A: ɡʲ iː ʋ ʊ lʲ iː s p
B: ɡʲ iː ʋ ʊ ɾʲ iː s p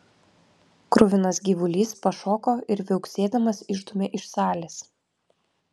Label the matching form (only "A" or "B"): A